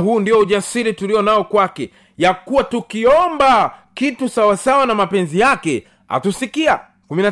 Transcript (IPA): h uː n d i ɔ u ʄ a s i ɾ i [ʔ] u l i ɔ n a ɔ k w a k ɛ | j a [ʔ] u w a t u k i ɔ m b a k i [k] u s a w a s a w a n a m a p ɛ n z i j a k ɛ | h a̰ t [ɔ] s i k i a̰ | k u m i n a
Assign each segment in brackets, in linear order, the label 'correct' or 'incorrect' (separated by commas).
incorrect, incorrect, incorrect, incorrect